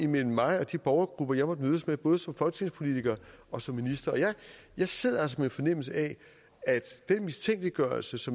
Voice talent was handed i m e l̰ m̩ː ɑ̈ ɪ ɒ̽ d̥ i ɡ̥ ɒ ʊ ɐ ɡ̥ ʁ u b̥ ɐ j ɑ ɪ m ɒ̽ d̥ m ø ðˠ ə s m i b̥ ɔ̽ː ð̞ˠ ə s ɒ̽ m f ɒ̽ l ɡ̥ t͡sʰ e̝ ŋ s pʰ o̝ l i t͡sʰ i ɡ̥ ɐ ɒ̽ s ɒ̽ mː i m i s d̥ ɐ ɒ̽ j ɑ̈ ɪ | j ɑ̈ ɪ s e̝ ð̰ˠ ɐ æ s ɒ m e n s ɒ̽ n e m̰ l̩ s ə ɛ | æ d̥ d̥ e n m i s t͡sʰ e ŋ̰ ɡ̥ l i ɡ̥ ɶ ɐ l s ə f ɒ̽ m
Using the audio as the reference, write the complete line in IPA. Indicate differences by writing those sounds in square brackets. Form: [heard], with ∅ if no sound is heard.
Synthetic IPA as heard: i m e l̰ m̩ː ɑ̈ ɪ ɒ̽ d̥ i [b̥] ɒ ʊ ɐ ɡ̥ ʁ u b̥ ɐ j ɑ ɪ m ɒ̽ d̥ m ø ðˠ ə s m [e] b̥ ɔ̽ː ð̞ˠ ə s ɒ̽ m f ɒ̽ l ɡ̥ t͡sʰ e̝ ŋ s pʰ o̝ l i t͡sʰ i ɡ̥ ɐ ɒ̽ s ɒ̽ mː i [n] i s d̥ ɐ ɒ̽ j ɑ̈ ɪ | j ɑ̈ ɪ s e̝ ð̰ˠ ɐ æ s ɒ m e n [f] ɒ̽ n e m̰ l̩ s ə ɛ | æ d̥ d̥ e n m i s t͡sʰ e ŋ̰ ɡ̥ l i ɡ̥ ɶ ɐ l s ə [s] ɒ̽ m